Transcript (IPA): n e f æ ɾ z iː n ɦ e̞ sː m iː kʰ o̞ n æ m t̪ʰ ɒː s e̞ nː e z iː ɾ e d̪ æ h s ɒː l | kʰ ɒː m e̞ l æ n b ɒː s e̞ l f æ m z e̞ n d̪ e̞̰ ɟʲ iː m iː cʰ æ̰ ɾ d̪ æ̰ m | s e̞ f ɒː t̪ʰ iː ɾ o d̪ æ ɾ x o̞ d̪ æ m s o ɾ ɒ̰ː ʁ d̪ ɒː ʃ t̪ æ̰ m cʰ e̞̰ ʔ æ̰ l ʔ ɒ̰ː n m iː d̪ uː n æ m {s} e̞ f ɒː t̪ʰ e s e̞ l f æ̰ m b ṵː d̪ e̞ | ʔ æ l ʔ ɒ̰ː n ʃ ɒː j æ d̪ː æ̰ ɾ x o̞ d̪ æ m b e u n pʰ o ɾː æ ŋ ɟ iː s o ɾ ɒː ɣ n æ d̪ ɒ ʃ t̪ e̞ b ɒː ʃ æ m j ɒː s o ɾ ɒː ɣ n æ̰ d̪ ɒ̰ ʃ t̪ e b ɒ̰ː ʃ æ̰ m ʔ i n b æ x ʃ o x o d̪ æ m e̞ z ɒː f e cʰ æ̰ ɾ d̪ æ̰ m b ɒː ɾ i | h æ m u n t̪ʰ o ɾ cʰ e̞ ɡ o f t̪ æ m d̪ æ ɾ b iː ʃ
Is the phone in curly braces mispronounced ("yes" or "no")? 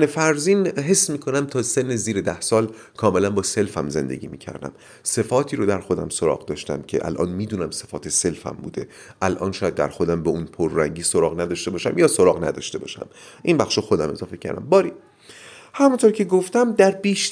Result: no